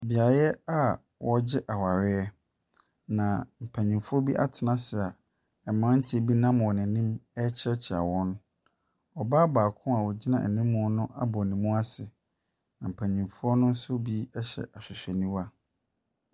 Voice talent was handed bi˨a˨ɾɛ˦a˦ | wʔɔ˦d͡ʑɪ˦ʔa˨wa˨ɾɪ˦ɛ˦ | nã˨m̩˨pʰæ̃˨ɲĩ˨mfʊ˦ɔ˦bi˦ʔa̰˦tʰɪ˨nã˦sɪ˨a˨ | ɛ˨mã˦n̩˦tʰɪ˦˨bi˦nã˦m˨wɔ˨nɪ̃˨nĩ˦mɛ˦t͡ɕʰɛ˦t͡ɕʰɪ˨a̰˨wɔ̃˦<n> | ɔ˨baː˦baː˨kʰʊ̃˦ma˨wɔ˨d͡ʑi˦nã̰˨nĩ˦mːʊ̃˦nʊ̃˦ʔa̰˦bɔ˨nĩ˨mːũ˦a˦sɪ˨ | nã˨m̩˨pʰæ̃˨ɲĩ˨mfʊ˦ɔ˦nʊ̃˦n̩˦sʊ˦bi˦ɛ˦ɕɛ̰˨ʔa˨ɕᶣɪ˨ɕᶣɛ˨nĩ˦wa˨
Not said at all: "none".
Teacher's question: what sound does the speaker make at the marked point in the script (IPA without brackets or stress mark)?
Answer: n